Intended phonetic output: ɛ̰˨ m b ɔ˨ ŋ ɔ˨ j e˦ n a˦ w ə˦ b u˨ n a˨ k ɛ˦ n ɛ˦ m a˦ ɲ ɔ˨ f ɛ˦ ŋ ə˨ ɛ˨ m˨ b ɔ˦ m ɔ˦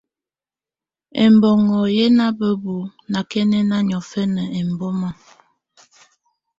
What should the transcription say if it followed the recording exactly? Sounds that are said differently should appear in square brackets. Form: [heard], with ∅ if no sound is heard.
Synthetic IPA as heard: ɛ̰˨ m b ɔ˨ ŋ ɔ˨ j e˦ n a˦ [b] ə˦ b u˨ n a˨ k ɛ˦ n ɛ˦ [n] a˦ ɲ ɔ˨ f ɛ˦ [n] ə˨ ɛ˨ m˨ b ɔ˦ m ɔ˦